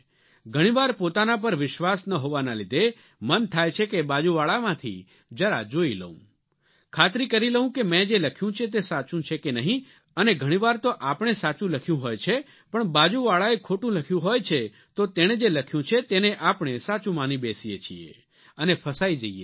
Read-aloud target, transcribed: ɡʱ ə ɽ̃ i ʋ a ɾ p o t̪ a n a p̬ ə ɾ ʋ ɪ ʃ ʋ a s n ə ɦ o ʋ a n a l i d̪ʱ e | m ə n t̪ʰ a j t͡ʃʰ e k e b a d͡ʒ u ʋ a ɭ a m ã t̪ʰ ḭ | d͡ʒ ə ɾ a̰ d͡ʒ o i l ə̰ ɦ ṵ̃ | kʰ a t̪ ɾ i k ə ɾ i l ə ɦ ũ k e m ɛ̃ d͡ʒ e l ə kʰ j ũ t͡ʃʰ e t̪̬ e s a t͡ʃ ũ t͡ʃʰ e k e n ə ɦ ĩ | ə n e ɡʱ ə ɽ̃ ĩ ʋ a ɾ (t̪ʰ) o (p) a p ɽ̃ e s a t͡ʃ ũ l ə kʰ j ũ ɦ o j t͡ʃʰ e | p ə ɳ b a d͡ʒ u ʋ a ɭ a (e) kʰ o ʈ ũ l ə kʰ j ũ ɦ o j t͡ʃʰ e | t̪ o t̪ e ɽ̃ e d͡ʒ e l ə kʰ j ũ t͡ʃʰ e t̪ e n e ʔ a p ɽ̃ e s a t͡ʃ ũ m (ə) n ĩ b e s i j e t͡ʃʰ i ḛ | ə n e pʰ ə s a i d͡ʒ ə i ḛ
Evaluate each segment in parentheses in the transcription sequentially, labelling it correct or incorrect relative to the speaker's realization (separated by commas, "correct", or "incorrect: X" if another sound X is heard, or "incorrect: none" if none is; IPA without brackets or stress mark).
incorrect: t̪, incorrect: ʔ, correct, incorrect: a